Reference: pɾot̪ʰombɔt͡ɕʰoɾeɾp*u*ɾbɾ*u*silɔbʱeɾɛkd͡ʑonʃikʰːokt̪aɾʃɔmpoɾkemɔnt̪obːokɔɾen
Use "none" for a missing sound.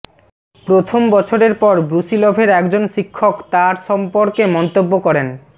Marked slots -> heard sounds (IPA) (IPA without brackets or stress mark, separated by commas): ɔ, u